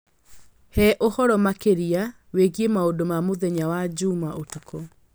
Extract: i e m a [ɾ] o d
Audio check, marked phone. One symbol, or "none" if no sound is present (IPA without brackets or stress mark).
none